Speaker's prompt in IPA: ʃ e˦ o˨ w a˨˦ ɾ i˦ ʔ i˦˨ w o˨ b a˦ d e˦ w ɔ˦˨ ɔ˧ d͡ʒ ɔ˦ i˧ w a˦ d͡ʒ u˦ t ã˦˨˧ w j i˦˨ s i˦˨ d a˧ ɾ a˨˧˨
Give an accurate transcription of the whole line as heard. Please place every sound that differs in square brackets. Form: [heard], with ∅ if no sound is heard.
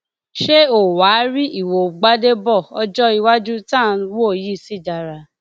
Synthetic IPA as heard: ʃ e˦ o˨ w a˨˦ ɾ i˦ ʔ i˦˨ w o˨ [ɡ͡b] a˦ d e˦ [b] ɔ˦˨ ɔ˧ d͡ʒ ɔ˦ i˧ w a˦ d͡ʒ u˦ t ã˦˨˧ w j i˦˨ s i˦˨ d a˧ ɾ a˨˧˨